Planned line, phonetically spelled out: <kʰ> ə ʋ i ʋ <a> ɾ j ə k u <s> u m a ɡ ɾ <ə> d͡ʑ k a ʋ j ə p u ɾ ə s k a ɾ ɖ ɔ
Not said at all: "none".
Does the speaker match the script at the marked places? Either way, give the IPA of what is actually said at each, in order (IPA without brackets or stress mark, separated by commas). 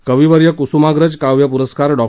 k, ə, s, ə